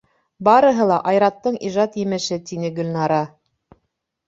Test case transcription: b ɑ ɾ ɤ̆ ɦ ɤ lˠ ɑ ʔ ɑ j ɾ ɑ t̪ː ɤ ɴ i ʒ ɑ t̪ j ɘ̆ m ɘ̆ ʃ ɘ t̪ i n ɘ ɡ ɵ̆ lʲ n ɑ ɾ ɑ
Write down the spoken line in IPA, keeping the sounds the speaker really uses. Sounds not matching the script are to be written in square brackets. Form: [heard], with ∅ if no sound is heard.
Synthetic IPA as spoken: b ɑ ɾ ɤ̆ ɦ ɤ lˠ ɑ ʔ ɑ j ɾ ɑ t̪ː ɤ ɴ i ʒ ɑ t̪ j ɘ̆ m ɘ̆ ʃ ɘ t̪ i n ɘ ɡ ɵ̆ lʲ n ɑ ɾ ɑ